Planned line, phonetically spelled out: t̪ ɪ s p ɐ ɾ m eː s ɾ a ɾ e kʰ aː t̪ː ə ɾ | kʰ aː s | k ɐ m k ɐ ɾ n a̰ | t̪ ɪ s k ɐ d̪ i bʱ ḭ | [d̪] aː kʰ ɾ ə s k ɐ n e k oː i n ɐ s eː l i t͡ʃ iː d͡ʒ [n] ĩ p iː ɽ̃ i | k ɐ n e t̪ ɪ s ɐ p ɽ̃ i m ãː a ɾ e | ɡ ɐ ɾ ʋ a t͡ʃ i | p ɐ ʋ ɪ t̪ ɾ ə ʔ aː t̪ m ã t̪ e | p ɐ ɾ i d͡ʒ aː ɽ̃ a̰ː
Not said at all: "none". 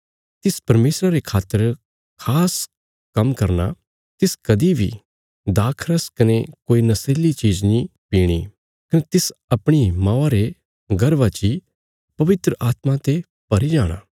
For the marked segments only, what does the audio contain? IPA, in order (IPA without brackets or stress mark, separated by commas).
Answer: d̪, n